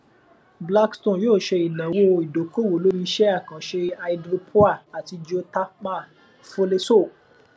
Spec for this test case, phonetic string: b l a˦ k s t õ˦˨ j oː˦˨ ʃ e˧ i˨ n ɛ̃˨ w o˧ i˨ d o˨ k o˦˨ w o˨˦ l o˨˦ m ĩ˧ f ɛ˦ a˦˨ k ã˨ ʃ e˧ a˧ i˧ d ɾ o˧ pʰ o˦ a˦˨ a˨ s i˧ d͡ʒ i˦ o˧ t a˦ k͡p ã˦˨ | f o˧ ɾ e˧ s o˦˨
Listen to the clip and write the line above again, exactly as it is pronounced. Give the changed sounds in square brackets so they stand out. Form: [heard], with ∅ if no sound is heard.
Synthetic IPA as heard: b l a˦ k s t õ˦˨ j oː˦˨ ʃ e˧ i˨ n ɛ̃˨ w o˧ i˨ d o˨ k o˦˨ w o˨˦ l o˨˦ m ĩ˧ [ʃ] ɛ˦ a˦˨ k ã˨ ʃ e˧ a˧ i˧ d ɾ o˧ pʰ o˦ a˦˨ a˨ [t] i˧ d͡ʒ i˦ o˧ t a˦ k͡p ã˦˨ | f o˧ [l] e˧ s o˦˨